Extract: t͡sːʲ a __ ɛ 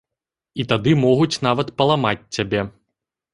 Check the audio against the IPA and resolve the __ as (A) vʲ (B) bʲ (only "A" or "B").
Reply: B